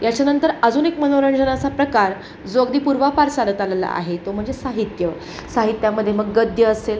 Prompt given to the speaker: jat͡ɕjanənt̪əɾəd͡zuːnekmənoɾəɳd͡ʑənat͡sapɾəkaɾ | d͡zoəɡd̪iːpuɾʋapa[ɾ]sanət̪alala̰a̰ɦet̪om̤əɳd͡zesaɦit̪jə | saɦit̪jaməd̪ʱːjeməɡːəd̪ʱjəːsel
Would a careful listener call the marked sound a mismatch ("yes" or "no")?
no